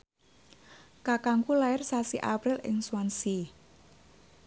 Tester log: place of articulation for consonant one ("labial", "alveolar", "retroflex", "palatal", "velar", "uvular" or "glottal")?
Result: velar